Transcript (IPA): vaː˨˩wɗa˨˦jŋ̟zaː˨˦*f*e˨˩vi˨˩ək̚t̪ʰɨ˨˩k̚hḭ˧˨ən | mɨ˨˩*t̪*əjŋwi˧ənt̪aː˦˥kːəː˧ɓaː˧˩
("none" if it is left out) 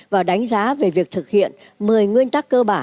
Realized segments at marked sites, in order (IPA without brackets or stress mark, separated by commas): v, none